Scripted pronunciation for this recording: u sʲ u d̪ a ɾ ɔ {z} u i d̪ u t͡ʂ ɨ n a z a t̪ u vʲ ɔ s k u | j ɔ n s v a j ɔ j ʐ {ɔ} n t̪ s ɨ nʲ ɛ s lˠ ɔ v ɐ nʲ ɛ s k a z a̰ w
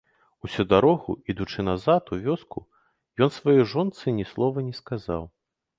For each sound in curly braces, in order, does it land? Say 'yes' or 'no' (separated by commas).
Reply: no, yes